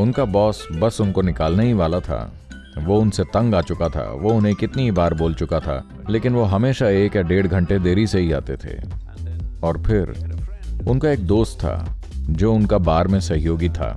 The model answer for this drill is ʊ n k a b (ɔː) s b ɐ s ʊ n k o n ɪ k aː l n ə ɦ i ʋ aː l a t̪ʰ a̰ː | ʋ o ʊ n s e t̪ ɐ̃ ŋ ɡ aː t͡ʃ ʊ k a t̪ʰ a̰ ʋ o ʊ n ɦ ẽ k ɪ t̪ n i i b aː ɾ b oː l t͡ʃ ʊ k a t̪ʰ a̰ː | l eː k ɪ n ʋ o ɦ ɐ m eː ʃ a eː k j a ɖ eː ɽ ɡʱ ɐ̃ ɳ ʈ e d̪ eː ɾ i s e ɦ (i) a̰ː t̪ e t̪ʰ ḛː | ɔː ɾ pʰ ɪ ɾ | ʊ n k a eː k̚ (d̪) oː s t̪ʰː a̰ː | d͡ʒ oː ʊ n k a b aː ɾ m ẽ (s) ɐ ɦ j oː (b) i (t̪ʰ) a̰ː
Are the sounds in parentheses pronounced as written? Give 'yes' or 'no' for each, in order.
yes, yes, yes, yes, no, yes

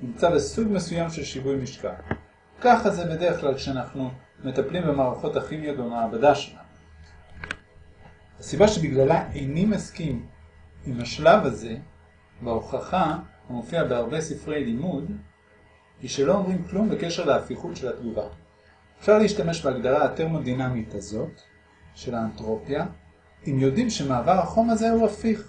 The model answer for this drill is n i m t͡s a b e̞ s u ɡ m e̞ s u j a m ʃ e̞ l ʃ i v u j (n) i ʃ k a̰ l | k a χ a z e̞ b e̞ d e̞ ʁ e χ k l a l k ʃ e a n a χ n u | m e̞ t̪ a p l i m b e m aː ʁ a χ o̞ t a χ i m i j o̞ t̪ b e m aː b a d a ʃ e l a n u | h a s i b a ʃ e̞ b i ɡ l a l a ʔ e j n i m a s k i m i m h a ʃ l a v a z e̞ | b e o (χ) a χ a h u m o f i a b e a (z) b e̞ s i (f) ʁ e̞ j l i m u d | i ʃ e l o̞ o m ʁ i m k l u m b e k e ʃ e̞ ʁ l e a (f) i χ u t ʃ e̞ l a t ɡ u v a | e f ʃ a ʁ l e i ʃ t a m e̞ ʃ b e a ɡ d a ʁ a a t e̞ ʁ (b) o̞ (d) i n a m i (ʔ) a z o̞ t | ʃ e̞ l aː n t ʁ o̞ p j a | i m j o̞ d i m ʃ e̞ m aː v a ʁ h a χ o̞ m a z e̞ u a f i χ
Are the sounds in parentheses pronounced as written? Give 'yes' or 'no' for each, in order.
no, yes, no, yes, yes, no, yes, no

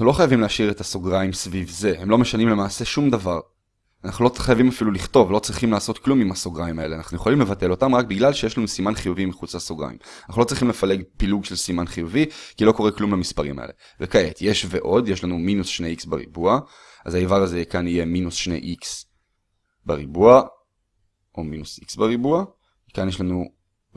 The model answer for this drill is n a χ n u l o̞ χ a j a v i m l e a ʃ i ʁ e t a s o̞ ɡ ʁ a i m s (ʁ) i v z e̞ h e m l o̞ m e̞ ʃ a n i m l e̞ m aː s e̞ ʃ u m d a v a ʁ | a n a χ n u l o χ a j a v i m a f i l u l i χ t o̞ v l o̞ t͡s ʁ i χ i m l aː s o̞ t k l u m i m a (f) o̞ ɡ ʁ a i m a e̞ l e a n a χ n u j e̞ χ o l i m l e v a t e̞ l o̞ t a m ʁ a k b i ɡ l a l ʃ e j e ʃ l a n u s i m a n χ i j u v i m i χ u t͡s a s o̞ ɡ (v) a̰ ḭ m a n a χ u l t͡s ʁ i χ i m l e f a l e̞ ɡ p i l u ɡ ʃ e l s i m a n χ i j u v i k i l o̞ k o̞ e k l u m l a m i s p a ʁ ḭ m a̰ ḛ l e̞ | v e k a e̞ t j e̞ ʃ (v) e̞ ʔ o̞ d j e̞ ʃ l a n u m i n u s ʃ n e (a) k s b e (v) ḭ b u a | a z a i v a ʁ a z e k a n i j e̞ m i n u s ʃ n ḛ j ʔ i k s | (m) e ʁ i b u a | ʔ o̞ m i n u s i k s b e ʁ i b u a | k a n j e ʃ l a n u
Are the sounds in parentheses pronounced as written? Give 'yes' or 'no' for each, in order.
no, no, no, yes, no, no, no

